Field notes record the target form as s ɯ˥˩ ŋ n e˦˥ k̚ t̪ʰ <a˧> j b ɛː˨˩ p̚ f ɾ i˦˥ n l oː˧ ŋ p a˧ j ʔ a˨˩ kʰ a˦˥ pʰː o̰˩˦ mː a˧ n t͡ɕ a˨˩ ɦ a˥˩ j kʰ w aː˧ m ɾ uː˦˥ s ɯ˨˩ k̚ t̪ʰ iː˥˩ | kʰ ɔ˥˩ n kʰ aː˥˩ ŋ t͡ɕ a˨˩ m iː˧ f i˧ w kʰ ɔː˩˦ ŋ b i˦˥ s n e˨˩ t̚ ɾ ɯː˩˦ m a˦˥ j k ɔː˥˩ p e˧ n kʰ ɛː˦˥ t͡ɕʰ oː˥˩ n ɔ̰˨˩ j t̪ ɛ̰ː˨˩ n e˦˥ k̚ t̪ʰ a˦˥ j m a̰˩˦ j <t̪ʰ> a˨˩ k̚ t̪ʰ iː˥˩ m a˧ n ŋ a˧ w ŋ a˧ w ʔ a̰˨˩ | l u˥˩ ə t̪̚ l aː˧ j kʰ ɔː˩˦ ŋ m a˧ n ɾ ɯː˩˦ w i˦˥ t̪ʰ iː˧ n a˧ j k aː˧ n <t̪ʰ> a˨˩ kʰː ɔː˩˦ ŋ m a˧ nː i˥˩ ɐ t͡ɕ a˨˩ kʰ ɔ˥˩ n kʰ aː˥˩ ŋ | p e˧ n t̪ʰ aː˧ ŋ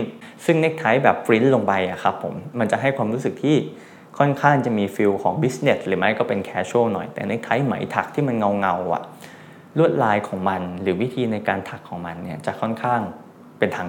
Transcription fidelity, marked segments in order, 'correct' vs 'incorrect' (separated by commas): incorrect, correct, correct